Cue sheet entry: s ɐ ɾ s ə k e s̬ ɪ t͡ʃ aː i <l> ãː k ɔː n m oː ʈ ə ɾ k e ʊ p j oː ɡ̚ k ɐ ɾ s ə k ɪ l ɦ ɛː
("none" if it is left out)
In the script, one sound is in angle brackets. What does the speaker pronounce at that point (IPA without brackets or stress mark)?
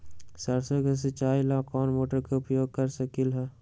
l